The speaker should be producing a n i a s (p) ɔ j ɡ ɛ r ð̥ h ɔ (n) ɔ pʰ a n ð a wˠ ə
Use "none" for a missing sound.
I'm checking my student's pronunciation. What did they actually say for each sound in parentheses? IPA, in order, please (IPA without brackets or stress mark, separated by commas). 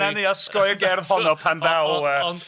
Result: k, n